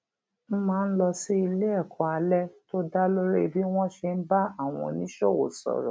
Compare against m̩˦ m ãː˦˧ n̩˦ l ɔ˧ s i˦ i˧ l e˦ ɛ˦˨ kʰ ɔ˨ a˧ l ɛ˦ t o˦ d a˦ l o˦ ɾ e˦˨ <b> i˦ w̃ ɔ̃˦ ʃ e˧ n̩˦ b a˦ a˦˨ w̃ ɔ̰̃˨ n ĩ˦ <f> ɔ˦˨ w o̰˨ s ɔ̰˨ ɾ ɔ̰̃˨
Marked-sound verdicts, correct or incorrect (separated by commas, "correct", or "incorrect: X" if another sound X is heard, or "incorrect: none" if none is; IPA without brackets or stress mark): correct, incorrect: ʃ